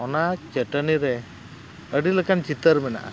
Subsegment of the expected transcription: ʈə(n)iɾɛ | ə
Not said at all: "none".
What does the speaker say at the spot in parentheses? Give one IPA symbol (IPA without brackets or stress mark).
n